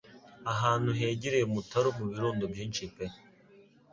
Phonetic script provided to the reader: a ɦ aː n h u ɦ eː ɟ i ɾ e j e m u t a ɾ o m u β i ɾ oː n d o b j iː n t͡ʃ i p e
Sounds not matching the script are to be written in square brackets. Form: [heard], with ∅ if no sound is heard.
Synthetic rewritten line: a ɦ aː n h u ɦ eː ɟ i ɾ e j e m u t a ɾ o m u β i ɾ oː n d o b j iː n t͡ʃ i p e